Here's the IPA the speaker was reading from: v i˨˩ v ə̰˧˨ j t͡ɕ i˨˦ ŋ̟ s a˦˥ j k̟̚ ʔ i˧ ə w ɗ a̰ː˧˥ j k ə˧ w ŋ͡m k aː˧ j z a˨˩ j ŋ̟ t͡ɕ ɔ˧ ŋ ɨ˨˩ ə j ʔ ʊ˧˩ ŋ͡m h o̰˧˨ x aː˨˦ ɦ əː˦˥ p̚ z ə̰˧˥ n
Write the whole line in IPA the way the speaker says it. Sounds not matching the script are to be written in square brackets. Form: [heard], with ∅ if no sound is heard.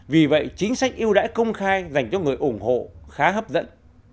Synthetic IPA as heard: v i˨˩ v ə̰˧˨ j t͡ɕ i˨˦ ŋ̟ s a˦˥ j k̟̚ ʔ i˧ ə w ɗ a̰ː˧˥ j k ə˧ w ŋ͡m [x] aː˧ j z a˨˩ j ŋ̟ t͡ɕ ɔ˧ ŋ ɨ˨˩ ə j ʔ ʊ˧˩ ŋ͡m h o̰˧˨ x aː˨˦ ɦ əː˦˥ p̚ z ə̰˧˥ n